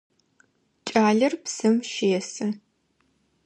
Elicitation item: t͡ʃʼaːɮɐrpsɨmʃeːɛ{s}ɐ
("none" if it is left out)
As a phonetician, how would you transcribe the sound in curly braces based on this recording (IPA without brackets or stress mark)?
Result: s